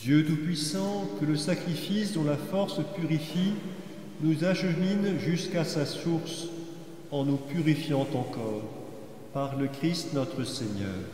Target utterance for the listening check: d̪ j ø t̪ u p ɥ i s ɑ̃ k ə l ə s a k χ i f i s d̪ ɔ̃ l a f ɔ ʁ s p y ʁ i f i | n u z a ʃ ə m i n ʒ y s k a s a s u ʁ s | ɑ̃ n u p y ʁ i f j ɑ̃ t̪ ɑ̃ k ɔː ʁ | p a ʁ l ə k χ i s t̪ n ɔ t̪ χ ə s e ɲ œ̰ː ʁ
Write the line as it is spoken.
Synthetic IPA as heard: d̪ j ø t̪ u p ɥ i s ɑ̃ k ə l ə s a k χ i f i s d̪ ɔ̃ l a f ɔ ʁ s p y ʁ i f i | n u z a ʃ ə m i n ʒ y s k a s a s u ʁ s | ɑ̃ n u p y ʁ i f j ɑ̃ t̪ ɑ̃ k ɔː ʁ | p a ʁ l ə k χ i s t̪ n ɔ t̪ χ ə s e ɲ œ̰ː ʁ

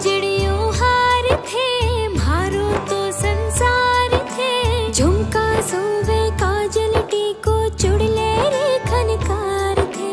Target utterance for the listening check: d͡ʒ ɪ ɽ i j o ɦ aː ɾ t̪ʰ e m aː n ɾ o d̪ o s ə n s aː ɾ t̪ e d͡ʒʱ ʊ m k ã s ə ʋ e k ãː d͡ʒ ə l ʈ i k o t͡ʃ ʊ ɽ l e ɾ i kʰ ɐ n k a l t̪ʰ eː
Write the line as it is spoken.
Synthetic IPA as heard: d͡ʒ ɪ ɽ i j o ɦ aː ɾ t̪ʰ e m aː ɾ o t̪ o s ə n s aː ɾ t̪ʰ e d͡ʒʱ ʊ m k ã s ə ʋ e k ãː d͡ʒ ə l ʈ i k o t͡ʃ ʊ ɽ l e ɾ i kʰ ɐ n k a ɾ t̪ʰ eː

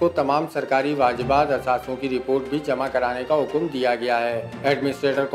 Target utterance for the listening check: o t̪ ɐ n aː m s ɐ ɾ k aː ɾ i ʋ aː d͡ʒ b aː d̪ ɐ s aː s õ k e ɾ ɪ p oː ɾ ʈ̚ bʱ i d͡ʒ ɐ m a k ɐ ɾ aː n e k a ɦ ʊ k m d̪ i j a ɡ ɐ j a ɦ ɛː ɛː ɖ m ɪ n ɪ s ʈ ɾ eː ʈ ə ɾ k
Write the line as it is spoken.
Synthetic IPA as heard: o t̪ ɐ m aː m s ɐ ɾ k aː ɾ i ʋ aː d͡ʒ b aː d̪ ɐ s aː s õ k i ɾ ɪ p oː ɾ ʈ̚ bʱ i d͡ʒ ɐ m a k ɐ ɾ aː n e k a ɦ ʊ k m d̪ i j a ɡ ɐ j a ɦ ɛː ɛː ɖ m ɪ n ɪ s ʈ ɾ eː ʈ ə ɾ k

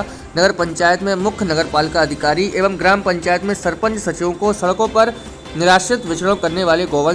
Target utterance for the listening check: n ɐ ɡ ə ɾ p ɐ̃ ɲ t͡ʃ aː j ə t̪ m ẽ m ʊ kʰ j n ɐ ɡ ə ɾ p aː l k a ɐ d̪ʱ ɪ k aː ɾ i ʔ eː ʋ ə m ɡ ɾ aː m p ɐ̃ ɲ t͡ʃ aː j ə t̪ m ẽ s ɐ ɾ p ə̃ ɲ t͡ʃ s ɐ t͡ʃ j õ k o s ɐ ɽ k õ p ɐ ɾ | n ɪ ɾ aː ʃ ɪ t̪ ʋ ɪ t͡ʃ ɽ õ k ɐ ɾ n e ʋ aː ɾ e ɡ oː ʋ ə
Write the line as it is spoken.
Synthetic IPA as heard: n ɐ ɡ ə ɾ p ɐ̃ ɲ t͡ʃ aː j ə t̪ m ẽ m ʊ kʰ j n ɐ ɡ ə ɾ p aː l k a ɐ d̪ʱ ɪ k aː ɾ i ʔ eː ʋ ə m ɡ ɾ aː m p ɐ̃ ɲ t͡ʃ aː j ə t̪ m ẽ s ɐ ɾ p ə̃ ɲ t͡ʃ s ɐ t͡ʃ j õ k o s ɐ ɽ k õ p ɐ ɾ | n ɪ ɾ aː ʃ ɪ t̪ ʋ ɪ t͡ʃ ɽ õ k ɐ ɾ n e ʋ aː l e ɡ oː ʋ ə

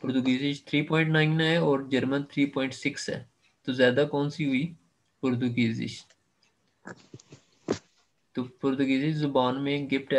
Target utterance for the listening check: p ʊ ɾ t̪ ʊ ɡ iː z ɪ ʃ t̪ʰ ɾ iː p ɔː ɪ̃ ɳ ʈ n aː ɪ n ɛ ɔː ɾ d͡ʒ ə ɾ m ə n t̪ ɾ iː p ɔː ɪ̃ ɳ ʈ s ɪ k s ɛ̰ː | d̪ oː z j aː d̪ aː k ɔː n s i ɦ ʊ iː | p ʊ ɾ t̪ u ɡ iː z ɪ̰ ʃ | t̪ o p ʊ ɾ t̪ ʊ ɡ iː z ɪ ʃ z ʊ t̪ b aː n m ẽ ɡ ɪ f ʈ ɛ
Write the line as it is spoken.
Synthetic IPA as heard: p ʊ ɾ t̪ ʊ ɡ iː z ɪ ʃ t̪ʰ ɾ iː p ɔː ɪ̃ ɳ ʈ n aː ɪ n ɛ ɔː ɾ d͡ʒ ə ɾ m ə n t̪ʰ ɾ iː p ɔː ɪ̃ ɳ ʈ s ɪ k s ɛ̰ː | t̪ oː z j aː d̪ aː k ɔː n s i ɦ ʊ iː | p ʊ ɾ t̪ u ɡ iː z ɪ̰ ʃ | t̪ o p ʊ ɾ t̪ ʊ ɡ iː z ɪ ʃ z ʊ b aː n m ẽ ɡ ɪ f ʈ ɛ

